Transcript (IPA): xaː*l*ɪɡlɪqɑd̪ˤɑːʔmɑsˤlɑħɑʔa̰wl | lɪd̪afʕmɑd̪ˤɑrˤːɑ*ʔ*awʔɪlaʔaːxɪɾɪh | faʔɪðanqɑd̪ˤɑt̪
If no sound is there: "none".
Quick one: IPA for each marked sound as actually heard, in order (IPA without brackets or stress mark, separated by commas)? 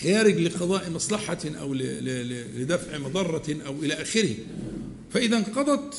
ɾ, ʔ